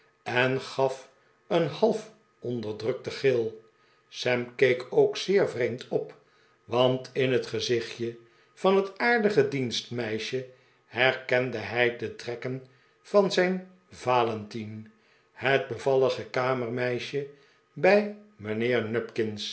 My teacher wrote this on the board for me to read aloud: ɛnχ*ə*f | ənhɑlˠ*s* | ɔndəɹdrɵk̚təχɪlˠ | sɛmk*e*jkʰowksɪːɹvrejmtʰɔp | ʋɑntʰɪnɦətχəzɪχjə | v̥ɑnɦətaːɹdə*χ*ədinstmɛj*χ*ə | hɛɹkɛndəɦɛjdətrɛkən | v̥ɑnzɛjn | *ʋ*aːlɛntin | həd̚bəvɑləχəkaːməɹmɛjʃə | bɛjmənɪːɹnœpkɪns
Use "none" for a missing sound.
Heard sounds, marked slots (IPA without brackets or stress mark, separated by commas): ɑ, f, e, χ, ʃ, v